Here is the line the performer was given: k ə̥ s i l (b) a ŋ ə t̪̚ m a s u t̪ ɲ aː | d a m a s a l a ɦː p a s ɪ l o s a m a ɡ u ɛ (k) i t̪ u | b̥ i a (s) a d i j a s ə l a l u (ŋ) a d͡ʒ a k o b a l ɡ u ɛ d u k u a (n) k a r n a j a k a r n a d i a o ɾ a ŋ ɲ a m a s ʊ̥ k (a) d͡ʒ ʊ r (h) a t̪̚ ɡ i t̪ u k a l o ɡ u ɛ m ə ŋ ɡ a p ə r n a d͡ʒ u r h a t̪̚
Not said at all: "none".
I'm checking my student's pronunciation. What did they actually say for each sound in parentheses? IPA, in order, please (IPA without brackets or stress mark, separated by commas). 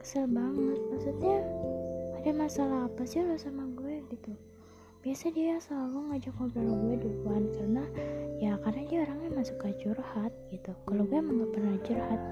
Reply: b, ɡ, s, ŋ, n, a, h